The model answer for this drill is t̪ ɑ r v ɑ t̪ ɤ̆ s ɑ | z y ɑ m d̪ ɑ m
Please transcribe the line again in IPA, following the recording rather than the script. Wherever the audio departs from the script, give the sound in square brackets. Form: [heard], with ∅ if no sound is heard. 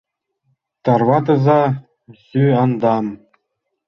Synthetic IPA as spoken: t̪ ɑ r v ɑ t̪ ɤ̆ [z] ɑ | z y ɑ [n] d̪ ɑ m